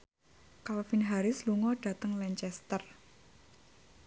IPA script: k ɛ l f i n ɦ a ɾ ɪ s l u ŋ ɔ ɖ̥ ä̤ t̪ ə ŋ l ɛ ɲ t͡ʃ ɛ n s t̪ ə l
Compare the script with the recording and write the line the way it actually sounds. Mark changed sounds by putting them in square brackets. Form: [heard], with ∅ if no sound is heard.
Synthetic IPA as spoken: k [a] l f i n ɦ a ɾ ɪ s l u ŋ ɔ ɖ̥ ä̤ t̪ ə ŋ l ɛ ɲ t͡ʃ ɛ [∅] s t̪ ə [r]